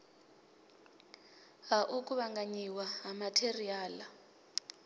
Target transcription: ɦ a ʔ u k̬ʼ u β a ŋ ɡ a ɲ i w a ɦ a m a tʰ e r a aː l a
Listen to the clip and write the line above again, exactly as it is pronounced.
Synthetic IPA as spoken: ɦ a ʔ u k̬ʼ u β a ŋ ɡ a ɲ i w a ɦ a m a tʰ e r i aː l a